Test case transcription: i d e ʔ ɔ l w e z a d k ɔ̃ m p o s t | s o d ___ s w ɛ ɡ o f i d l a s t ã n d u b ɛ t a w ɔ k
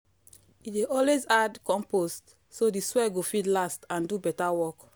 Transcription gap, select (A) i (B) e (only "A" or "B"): A